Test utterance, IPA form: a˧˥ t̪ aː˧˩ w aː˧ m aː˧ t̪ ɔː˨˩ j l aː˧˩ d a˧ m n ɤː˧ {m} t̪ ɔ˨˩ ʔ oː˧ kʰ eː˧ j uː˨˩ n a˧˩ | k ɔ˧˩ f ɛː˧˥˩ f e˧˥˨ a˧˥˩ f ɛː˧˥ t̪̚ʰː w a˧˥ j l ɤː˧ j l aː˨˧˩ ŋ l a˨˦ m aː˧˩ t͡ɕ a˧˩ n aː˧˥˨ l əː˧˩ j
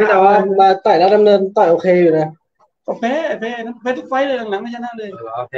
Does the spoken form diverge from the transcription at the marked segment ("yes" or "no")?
yes